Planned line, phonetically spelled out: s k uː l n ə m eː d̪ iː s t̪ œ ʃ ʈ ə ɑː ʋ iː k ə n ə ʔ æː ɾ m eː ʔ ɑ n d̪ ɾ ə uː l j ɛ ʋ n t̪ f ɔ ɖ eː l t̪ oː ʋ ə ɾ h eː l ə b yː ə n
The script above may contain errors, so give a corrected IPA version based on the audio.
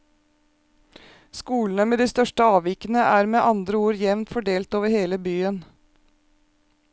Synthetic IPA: s k uː l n ə m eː d̪ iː s t̪ œ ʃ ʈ ə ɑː ʋ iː k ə n ə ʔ æː ɾ m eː ʔ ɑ n d̪ ɾ ə uː ɾ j ɛ ʋ n t̪ f ɔ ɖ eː l t̪ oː ʋ ə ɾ h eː l ə b yː ə n